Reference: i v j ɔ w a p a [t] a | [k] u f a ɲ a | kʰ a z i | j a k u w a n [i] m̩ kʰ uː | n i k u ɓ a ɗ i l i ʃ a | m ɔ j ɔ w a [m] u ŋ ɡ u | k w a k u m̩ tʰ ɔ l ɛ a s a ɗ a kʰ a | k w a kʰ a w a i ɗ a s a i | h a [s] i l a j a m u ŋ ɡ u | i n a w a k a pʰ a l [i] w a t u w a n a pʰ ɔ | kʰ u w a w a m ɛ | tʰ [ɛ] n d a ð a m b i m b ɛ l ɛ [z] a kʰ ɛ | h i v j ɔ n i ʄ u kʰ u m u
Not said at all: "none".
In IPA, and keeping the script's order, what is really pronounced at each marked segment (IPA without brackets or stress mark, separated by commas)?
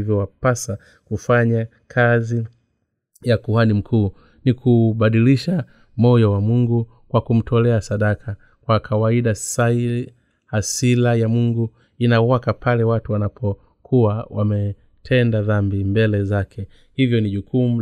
s, k, i, m, s, ɛ, ɛ, z